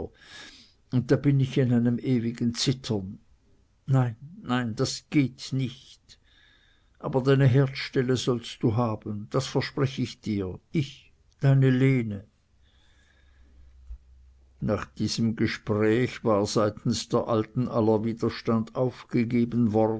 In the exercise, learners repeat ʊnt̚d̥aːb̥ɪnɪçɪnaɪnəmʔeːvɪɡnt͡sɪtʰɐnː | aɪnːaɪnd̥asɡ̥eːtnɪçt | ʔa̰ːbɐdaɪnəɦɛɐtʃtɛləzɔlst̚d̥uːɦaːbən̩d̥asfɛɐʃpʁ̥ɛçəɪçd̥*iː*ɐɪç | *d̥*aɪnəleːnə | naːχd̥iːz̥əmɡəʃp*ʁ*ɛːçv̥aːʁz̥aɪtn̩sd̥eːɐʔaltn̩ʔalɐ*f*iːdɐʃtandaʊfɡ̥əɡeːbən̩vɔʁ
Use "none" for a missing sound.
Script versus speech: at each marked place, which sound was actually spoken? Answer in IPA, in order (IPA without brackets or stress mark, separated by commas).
iː, d̥, ʁ, v